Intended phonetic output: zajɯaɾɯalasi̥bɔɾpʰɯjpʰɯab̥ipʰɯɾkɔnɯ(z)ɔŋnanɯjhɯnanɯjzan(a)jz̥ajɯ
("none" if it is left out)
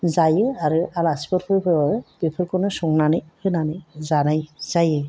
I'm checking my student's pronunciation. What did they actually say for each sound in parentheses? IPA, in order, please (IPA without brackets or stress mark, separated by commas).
s, a